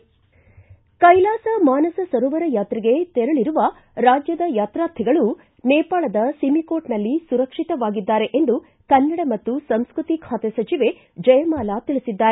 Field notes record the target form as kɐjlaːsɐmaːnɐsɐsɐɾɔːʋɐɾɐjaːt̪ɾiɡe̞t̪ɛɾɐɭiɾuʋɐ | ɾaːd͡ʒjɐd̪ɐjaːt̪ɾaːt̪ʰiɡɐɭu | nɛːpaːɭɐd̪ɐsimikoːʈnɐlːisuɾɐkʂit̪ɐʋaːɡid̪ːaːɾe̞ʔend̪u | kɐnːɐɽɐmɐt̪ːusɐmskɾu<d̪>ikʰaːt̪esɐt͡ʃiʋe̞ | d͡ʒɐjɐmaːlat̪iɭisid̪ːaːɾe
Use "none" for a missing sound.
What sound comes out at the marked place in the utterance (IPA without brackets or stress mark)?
t̪